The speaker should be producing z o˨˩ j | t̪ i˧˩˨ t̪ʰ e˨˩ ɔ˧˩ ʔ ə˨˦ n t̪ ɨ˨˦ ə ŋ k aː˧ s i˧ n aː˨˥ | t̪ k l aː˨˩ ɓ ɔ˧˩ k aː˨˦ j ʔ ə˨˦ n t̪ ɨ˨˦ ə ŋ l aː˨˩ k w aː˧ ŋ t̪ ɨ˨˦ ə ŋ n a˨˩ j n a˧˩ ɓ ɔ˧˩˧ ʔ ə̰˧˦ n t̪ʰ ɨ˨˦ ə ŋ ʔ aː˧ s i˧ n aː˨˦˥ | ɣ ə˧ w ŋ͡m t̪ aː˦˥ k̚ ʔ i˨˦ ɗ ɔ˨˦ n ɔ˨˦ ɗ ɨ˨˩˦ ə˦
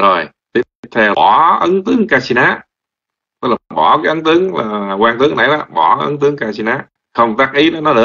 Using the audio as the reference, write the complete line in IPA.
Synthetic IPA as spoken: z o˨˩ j | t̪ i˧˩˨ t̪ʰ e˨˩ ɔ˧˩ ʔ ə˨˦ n t̪ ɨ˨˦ ə ŋ k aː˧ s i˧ n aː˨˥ | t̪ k l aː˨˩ ɓ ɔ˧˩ k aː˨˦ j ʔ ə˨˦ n t̪ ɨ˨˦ ə ŋ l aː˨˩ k w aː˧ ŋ t̪ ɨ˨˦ ə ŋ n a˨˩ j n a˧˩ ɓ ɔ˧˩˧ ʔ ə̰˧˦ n t̪ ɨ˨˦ ə ŋ k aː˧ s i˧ n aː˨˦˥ | x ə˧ w ŋ͡m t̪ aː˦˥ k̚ ʔ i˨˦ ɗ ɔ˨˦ n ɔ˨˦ ɗ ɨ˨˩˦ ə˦